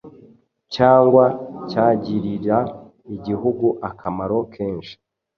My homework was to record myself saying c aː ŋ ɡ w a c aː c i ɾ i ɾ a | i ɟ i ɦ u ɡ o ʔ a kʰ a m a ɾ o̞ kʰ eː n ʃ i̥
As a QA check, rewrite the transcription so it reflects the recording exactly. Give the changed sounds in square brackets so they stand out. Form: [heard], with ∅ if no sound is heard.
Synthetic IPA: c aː ŋ ɡ w a c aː [ɟ] i ɾ i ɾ a | i ɟ i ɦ u ɡ [u] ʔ a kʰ a m a ɾ o̞ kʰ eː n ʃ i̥